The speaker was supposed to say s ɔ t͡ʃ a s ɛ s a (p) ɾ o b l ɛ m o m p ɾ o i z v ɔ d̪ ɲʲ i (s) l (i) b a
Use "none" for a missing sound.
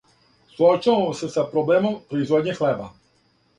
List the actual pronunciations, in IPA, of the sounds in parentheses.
p, x, ɛ

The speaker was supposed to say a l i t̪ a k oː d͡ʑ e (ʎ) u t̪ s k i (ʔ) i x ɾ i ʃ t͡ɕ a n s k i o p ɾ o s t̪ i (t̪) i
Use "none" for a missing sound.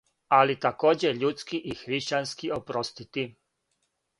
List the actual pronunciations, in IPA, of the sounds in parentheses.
ʎ, ʔ, t̪

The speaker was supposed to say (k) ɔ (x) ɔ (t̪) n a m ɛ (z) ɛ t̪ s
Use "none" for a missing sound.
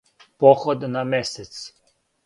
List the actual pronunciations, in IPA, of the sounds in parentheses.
p, x, d̪, s

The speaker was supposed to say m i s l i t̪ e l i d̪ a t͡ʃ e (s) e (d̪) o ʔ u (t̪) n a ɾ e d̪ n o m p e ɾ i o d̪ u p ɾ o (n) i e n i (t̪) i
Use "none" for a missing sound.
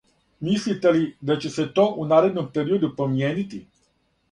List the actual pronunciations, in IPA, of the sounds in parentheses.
s, t̪, none, m, t̪

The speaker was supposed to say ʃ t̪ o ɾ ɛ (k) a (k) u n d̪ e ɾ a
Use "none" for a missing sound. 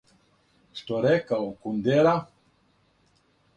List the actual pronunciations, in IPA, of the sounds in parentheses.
k, k

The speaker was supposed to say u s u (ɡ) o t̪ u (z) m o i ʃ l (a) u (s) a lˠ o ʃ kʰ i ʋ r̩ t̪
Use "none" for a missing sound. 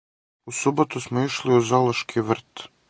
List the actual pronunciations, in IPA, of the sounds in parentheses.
b, s, i, z

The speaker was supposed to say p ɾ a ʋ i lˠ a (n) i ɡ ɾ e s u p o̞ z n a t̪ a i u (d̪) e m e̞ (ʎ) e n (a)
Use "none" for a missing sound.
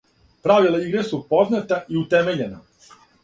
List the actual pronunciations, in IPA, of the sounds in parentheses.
none, t̪, ʎ, a

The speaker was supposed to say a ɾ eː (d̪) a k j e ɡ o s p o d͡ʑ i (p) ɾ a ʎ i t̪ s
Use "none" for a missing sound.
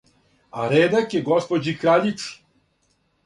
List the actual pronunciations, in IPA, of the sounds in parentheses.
d̪, k

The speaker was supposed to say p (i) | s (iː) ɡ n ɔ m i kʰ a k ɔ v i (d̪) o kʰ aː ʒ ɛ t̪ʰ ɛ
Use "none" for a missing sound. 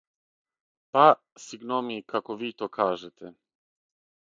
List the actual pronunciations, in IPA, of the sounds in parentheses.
a, i, t̪

